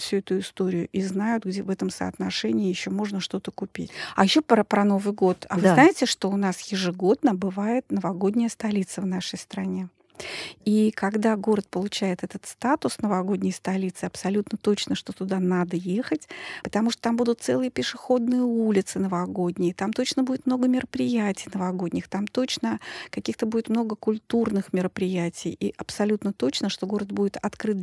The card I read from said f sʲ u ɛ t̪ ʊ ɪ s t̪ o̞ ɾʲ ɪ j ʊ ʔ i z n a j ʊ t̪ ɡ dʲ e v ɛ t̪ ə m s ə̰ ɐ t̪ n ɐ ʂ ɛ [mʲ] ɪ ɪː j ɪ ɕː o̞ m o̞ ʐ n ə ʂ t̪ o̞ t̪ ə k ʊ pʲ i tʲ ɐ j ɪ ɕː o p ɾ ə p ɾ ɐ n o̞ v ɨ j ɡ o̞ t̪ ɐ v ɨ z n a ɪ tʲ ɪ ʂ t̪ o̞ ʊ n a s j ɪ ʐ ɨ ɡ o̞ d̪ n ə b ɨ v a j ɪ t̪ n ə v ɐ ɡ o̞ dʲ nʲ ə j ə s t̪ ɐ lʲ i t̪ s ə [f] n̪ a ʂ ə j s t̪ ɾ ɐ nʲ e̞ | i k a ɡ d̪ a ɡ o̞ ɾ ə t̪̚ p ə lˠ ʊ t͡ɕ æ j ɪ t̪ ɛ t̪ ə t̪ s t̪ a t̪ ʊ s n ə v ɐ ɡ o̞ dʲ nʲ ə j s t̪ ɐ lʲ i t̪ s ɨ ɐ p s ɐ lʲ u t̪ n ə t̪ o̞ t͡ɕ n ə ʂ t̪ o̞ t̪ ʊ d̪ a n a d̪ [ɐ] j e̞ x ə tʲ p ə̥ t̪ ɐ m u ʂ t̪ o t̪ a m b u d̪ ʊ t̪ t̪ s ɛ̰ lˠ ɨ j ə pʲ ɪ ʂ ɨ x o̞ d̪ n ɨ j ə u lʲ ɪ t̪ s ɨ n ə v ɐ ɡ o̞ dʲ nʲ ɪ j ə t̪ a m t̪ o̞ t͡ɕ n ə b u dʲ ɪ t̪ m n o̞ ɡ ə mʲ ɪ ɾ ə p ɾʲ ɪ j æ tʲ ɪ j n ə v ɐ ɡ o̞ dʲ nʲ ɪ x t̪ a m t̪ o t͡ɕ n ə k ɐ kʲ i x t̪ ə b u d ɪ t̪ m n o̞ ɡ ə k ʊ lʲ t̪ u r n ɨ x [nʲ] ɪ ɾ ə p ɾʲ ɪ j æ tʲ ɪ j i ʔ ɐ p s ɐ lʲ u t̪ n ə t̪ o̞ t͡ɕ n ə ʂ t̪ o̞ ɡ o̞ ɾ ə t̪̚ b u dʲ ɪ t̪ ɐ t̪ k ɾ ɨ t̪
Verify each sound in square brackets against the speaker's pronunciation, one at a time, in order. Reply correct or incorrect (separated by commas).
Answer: incorrect, incorrect, incorrect, incorrect